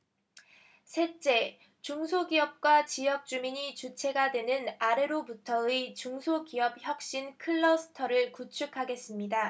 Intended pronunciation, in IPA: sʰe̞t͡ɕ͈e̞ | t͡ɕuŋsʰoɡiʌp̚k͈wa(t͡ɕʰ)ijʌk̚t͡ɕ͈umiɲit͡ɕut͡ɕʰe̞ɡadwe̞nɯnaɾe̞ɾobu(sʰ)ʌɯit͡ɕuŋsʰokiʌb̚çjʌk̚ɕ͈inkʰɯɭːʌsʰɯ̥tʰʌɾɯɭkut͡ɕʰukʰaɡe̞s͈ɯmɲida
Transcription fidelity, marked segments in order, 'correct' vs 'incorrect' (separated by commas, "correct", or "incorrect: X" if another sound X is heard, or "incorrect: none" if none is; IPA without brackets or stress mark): incorrect: t͡ɕ, incorrect: tʰ